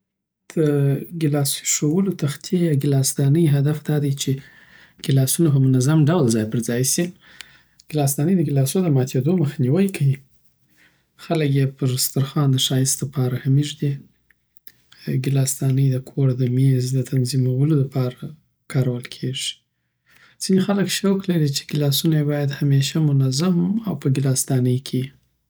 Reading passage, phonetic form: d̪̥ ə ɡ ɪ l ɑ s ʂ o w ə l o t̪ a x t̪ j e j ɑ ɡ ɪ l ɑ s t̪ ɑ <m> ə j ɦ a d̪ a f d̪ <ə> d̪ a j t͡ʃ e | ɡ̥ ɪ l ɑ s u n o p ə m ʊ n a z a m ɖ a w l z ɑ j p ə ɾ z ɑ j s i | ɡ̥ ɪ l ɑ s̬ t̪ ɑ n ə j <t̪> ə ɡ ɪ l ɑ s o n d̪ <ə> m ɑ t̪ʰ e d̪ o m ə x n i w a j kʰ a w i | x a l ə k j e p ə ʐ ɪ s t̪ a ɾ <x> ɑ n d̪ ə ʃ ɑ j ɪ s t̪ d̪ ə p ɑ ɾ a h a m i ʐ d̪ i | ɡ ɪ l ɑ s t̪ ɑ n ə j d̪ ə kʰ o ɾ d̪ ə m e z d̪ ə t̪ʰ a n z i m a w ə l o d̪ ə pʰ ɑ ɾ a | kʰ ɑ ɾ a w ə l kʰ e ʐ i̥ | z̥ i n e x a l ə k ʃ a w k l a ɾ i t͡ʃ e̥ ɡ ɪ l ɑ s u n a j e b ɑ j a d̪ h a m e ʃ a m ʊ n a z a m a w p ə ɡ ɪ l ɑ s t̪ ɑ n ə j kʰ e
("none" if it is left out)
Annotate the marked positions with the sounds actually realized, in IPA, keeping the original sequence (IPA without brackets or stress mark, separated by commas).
n, ɑ, d̪, ə, x